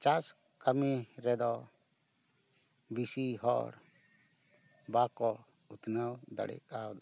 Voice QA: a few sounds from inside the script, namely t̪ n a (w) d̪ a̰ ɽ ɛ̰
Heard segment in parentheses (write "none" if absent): w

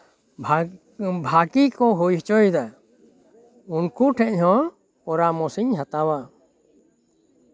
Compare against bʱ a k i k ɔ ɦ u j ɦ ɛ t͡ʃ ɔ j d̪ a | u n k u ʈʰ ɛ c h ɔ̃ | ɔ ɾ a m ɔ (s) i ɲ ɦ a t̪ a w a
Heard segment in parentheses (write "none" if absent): s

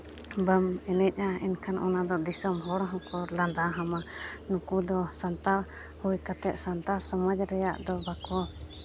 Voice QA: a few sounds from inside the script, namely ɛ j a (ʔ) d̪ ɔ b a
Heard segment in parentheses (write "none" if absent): ʔ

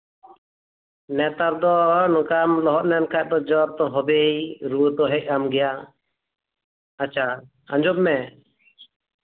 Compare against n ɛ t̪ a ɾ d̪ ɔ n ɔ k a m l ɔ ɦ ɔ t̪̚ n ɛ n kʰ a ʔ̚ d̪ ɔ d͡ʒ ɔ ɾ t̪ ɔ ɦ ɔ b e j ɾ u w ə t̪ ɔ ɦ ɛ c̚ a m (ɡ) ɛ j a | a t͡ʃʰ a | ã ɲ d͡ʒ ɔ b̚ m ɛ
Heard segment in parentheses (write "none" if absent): ɡ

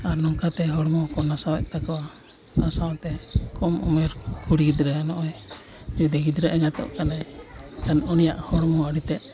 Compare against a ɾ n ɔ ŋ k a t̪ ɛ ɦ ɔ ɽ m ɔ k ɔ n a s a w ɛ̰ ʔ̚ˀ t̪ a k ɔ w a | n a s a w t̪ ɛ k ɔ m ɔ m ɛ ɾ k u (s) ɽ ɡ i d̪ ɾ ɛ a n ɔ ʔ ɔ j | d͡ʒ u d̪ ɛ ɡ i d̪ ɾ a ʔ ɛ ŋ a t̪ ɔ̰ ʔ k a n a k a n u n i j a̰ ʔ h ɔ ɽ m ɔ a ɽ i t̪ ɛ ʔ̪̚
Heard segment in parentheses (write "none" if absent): none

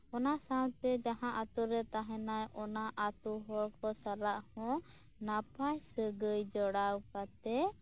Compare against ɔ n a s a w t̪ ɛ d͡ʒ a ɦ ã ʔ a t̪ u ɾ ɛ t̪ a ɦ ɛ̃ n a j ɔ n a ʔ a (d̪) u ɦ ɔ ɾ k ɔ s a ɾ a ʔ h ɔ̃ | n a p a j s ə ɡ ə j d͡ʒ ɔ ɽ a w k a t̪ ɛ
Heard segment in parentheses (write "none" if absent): t̪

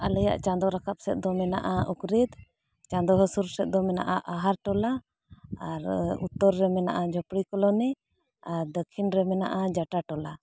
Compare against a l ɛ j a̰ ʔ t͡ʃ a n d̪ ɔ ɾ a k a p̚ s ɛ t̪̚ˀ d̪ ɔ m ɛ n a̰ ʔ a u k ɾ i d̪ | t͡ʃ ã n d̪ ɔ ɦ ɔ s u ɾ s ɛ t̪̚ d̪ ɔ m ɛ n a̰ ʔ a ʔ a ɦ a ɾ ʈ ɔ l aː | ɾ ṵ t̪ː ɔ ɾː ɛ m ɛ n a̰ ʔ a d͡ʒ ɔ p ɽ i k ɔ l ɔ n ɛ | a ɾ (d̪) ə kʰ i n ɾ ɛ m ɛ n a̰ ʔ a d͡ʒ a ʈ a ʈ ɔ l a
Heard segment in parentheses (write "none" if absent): d̪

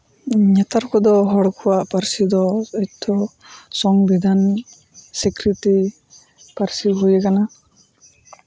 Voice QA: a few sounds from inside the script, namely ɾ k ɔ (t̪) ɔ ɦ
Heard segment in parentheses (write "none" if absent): d̪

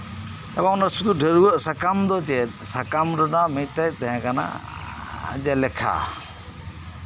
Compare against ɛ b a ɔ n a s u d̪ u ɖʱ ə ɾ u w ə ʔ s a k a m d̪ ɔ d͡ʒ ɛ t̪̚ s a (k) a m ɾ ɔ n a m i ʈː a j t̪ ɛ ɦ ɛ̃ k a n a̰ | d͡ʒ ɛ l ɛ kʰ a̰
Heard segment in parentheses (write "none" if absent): k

